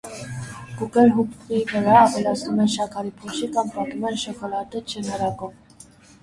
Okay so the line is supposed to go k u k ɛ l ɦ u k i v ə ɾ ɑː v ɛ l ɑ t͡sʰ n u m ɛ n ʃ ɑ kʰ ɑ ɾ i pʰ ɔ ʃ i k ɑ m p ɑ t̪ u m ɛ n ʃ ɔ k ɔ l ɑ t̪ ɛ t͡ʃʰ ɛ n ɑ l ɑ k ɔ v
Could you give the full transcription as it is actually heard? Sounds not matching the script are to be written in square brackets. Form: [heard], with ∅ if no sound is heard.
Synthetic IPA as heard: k u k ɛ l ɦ u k i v ə ɾ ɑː v ɛ l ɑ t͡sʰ n u m ɛ n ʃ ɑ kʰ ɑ ɾ i pʰ ɔ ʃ i k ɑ m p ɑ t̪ u m ɛ n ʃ ɔ k ɔ l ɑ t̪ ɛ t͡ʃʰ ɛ n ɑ [ɾ] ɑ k ɔ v